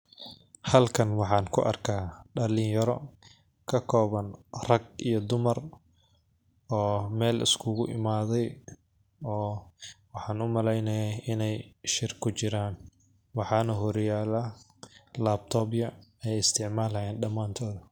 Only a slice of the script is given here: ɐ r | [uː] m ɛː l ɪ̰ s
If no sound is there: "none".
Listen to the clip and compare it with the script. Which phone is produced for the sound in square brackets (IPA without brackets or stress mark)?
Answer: ɔː